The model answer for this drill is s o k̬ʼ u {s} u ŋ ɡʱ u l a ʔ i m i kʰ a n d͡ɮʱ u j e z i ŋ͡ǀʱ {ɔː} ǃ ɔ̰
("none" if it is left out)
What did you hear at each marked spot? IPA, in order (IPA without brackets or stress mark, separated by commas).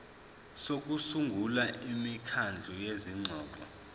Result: s, ɔː